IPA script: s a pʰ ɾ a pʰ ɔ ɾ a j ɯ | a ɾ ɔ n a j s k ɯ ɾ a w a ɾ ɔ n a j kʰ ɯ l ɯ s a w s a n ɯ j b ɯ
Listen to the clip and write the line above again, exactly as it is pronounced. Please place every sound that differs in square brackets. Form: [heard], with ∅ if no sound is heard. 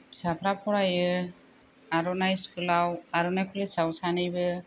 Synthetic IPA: s a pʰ ɾ a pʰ ɔ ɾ a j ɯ | a ɾ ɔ n a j s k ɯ [l] a w a ɾ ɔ n a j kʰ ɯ l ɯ s a w s a n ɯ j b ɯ